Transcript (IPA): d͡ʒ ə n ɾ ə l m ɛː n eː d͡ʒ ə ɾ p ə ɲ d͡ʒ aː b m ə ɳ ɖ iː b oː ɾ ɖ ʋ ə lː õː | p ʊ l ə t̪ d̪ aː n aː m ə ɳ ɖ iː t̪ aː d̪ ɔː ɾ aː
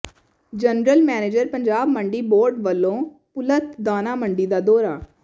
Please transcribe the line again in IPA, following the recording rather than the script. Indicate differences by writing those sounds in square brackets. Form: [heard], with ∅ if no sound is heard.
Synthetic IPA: d͡ʒ ə n ɾ ə l m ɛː n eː d͡ʒ ə ɾ p ə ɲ d͡ʒ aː b m ə ɳ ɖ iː b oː ɾ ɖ ʋ ə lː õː | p ʊ l ə t̪ d̪ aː n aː m ə ɳ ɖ iː [d̪] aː d̪ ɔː ɾ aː